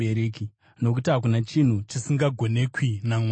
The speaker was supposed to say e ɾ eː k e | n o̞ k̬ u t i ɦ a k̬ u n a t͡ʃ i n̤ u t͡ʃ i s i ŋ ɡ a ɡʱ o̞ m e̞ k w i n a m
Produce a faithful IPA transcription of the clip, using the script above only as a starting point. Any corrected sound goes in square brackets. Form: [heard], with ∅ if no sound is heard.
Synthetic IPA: e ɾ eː k [i] | n o̞ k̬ u t i ɦ a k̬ u n a t͡ʃ i n̤ u t͡ʃ i s i ŋ ɡ a ɡʱ o̞ [n] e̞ k w i n a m